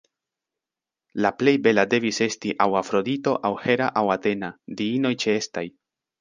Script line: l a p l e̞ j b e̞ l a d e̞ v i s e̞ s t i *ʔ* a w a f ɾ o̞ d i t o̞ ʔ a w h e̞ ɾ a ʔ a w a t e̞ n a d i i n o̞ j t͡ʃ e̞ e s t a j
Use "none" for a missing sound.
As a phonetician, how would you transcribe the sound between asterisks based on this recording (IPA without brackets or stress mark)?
ʔ